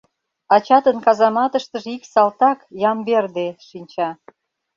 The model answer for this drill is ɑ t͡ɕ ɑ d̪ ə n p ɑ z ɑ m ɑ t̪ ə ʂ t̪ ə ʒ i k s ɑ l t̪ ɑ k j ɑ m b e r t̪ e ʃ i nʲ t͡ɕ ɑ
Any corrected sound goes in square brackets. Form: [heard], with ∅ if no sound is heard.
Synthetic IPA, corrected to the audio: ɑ t͡ɕ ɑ [t̪] ə n [k] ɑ z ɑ m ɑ t̪ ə [ʃ] t̪ ə ʒ i k s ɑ l t̪ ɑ k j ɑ m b e r [d̪] e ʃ i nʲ t͡ɕ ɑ

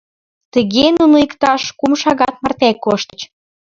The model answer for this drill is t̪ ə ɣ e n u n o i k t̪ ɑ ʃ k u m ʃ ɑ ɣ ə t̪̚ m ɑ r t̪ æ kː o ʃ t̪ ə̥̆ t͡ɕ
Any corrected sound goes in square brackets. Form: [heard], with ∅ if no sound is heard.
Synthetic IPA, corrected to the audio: t̪ ə ɣ e n u n o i k t̪ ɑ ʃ k u m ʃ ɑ ɣ [ɑ] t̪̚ m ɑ r t̪ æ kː o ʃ t̪ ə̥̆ t͡ɕ

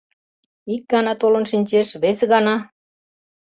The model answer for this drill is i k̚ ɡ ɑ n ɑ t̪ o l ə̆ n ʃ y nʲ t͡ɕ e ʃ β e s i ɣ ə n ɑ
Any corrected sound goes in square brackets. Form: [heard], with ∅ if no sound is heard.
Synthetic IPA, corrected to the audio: i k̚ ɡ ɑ n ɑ t̪ o l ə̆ n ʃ [i] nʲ t͡ɕ e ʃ β e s [e] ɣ [ɑ] n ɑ

